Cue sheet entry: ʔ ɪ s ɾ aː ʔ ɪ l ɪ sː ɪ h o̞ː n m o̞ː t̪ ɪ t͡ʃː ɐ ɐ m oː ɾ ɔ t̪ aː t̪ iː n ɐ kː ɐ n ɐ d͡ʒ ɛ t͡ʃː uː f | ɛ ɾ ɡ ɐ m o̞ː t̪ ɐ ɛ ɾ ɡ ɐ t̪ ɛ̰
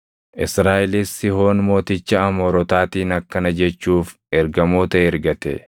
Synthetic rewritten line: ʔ ɪ s ɾ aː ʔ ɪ l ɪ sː ɪ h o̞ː n m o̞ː t̪ ɪ t͡ʃː ɐ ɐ m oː ɾ ɔ t̪ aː t̪ iː n ɐ kː ɐ n ɐ d͡ʒ ɛ t͡ʃː uː f | ɛ ɾ ɡ ɐ m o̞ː t̪ ɐ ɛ ɾ ɡ ɐ t̪ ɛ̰